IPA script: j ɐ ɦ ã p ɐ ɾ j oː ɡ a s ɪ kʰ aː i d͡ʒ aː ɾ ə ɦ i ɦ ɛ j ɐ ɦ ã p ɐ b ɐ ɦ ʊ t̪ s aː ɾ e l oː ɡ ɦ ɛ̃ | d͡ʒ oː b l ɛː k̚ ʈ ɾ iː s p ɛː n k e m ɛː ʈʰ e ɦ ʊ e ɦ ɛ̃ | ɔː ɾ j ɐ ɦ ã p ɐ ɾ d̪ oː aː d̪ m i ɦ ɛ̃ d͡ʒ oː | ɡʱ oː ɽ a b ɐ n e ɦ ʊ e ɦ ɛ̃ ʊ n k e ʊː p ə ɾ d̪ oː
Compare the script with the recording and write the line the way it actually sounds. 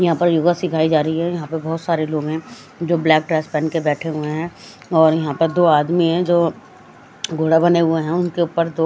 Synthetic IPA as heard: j ɐ ɦ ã p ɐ ɾ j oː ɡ a s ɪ kʰ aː i d͡ʒ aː ɾ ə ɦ i ɦ ɛ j ɐ ɦ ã p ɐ b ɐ ɦ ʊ t̪ s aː ɾ e l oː ɡ ɦ ɛ̃ | d͡ʒ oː b l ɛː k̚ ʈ ɾ ɛː s p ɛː n k e b ɛː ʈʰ e ɦ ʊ e ɦ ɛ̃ | ɔː ɾ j ɐ ɦ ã p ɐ ɾ d̪ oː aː d̪ m i ɦ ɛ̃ d͡ʒ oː | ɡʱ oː ɽ a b ɐ n e ɦ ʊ e ɦ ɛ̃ ʊ n k e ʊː p ə ɾ d̪ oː